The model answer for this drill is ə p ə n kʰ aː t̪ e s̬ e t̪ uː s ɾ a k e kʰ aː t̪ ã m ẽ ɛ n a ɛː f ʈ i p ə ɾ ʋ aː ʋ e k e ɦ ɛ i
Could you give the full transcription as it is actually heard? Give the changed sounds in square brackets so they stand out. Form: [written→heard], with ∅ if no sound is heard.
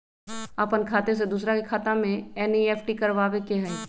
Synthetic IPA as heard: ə p ə n kʰ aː t̪ e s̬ e [t̪→d̪] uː s ɾ a k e kʰ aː t̪ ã m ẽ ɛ n [a→i] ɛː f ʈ i [p→k] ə ɾ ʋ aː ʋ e k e ɦ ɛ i